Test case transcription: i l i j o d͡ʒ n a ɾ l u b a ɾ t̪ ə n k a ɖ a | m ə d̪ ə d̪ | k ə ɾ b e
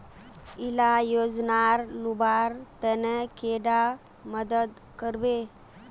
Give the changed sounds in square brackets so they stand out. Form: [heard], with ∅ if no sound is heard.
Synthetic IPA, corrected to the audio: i l [a] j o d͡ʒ n a ɾ l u b a ɾ t̪ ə n k [e] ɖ a | m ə d̪ ə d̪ | k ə ɾ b e